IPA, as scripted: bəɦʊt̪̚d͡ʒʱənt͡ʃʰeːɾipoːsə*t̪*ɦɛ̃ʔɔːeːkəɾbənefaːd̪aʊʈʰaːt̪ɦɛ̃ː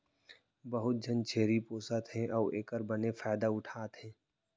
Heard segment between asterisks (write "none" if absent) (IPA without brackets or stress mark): t̪